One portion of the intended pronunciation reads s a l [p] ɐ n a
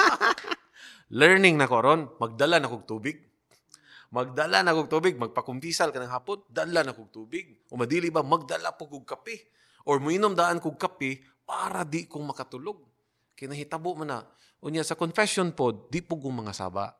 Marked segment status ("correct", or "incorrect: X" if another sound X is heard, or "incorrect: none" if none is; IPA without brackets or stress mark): incorrect: k